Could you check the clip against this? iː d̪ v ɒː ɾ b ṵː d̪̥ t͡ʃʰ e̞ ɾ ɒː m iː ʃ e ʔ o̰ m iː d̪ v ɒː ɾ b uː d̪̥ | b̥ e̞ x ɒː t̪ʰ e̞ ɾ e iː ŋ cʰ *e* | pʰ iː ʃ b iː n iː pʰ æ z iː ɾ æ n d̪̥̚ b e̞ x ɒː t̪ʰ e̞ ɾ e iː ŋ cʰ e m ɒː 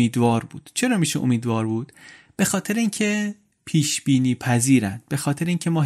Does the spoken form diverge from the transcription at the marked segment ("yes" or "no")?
no